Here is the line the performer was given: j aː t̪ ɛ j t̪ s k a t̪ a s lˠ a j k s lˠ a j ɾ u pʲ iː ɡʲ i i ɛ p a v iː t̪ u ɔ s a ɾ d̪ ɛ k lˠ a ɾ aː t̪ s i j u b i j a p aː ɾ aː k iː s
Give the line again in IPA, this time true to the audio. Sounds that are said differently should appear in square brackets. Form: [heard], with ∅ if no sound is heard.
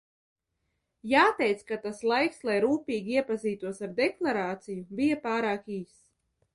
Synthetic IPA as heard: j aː t̪ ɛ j t̪ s k a t̪ a s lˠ a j k s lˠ a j ɾ [uː] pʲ iː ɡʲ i i ɛ p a [z] iː t̪ u ɔ s a ɾ d̪ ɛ k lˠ a ɾ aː t̪ s i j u b i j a p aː ɾ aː k iː s